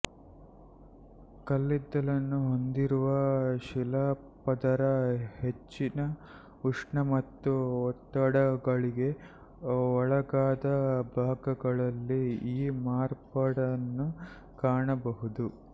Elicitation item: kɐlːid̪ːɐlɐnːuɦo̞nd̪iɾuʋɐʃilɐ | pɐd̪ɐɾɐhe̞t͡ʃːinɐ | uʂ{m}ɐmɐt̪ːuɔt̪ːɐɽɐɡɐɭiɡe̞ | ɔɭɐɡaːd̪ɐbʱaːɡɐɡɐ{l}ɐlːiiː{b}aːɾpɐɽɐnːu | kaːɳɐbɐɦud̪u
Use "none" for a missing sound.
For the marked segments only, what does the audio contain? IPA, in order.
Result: ɳ, ɭ, m

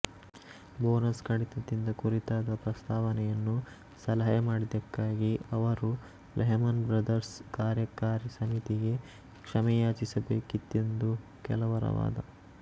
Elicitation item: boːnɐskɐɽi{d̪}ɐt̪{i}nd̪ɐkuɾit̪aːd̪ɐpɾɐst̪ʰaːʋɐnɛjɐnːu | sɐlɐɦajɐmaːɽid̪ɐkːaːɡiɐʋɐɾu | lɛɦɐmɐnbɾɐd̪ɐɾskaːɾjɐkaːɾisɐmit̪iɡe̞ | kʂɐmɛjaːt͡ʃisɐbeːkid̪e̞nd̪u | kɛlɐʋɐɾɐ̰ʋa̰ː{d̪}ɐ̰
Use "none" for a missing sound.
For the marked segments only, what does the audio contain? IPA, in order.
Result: t̪, i, d̪

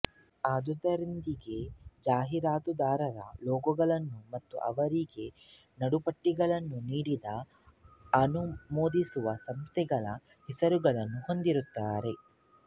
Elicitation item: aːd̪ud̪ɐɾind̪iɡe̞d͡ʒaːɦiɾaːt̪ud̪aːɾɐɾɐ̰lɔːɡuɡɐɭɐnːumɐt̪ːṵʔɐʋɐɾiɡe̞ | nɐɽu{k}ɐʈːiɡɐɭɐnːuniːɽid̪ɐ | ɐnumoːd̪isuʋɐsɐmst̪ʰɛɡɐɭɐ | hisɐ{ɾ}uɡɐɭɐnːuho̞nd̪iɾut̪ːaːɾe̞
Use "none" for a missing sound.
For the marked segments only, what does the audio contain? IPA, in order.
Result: p, ɾ

